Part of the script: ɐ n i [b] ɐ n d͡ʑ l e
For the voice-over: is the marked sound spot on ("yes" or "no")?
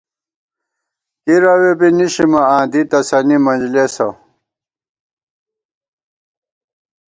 no